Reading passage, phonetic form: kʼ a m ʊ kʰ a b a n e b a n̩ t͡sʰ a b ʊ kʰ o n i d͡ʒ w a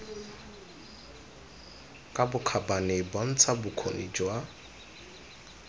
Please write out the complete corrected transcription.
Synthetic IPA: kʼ a b ʊ kʰ a b a n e b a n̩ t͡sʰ a b ʊ kʰ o n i d͡ʒ w a